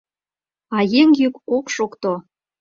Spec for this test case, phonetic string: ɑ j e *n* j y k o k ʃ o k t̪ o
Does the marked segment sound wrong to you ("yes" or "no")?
yes